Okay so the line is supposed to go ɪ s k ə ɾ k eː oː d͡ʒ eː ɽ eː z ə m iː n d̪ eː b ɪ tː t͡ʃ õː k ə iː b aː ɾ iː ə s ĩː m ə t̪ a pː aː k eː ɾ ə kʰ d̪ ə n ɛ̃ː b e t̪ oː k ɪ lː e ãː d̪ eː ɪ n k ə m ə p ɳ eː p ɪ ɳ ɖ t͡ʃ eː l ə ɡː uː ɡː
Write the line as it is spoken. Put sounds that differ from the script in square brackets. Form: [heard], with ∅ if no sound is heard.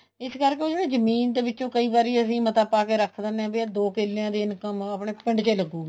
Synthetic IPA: ɪ s k ə ɾ k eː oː d͡ʒ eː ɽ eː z ə m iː n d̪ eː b ɪ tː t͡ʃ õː k ə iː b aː ɾ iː ə s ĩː m ə t̪ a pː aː k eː ɾ ə kʰ d̪ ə n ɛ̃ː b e [d̪] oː k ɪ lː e ãː d̪ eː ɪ n k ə m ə p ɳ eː p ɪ ɳ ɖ t͡ʃ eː l ə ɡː uː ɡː